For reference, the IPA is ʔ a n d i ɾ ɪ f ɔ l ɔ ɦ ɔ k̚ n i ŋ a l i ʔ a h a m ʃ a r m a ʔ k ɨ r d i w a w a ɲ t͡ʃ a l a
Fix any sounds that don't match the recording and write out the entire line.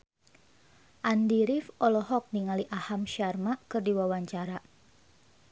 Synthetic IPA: ʔ a n d i ɾ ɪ f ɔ l ɔ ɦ ɔ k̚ n i ŋ a l i ʔ a h a m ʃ a r m a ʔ k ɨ r d i w a w a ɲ t͡ʃ a ɾ a